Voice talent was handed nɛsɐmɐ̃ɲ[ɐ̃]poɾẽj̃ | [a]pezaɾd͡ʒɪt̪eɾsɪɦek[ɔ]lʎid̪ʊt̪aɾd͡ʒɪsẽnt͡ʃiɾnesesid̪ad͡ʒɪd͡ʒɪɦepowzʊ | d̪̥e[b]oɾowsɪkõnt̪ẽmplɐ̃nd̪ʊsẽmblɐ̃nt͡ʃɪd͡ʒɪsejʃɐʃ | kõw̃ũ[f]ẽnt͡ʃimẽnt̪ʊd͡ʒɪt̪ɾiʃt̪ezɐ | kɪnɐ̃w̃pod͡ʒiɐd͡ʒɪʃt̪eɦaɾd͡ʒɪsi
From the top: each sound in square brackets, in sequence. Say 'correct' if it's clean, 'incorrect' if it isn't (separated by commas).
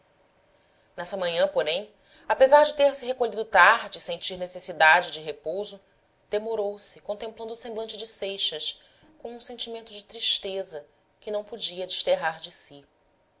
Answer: correct, correct, incorrect, incorrect, incorrect